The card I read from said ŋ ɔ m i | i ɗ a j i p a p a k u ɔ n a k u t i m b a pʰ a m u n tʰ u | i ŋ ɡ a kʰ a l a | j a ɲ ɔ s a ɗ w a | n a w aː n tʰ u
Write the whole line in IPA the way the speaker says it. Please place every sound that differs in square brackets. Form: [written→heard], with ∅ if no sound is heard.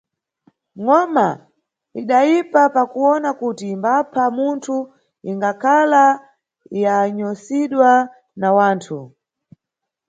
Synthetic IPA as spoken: ŋ ɔ m [i→a] | i ɗ a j i p a p a k u ɔ n a k u t i m b a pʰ a m u n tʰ u | i ŋ ɡ a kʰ a l a | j a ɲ ɔ s [a→i] ɗ w a | n a w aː n tʰ u